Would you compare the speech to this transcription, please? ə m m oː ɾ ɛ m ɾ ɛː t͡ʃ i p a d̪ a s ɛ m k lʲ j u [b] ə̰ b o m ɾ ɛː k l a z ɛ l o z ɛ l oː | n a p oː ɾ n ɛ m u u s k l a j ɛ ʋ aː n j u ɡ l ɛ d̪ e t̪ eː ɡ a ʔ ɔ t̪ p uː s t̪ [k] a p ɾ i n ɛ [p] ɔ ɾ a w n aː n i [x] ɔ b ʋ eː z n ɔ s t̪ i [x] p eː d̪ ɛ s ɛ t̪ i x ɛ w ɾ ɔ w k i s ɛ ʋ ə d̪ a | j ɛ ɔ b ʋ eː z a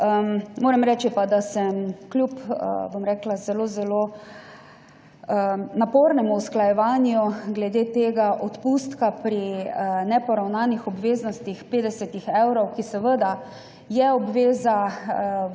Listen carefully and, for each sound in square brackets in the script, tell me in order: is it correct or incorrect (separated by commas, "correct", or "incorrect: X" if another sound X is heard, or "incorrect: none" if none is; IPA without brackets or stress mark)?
incorrect: p, correct, correct, correct, correct